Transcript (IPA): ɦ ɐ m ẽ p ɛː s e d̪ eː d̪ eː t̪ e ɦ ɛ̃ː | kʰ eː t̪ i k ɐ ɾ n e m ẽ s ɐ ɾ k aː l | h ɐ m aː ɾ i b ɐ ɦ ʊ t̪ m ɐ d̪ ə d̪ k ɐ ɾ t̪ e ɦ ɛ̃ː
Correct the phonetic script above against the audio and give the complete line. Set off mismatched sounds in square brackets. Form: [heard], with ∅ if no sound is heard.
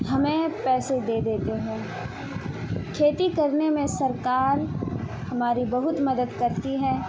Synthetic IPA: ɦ ɐ m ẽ p ɛː s e d̪ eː d̪ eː t̪ e ɦ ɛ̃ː | kʰ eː t̪ i k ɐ ɾ n e m ẽ s ɐ ɾ k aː [ɾ] | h ɐ m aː ɾ i b ɐ ɦ ʊ t̪ m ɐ d̪ ə d̪ k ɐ ɾ t̪ [i] ɦ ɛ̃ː